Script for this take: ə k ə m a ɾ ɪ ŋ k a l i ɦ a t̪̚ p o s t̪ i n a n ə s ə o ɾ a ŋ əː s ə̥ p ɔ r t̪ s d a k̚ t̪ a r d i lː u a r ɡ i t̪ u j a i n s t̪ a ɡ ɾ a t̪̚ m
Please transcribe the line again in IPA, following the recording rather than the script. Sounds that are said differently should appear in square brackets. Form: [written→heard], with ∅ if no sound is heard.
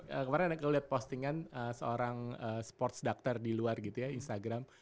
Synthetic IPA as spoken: ə k ə m a ɾ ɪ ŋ k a l i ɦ a t̪̚ p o s t̪ i [n→ŋ] a n ə s ə o ɾ a ŋ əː s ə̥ p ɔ r t̪ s d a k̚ t̪ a r d i [lː→l] u a r ɡ i t̪ u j a i n s t̪ a ɡ ɾ a [t̪̚→∅] m